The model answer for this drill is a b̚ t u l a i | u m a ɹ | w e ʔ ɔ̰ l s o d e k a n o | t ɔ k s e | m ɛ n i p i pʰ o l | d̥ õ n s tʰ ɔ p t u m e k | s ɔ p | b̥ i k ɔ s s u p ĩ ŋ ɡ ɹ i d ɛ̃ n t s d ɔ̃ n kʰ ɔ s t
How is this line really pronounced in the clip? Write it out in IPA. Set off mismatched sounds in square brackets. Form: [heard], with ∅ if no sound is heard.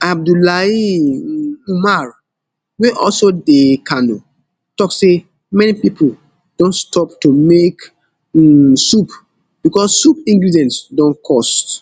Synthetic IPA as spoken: a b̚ [d] u l a i | u m a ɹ | w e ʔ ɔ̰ l s o d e k a n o | t ɔ k s e | m ɛ n i p i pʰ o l | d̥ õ n s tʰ ɔ p t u m e k | s [u] p | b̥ i k ɔ s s u p ĩ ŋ ɡ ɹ i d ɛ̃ n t s d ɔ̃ n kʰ ɔ s t